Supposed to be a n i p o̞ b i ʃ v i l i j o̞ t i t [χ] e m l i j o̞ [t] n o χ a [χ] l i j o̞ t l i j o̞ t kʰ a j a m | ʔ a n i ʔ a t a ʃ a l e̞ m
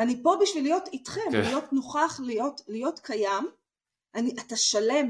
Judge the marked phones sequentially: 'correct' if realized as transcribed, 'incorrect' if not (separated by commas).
correct, correct, correct